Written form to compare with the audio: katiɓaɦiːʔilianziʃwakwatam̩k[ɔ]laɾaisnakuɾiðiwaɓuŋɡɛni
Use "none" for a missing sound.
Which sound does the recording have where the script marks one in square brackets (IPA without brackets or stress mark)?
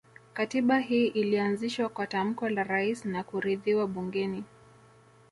ɔ